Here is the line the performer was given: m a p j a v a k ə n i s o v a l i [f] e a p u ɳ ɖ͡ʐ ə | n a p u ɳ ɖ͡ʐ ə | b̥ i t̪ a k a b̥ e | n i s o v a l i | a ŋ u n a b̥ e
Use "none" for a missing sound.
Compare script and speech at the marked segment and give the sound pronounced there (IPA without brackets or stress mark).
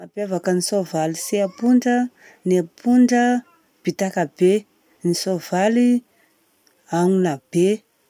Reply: s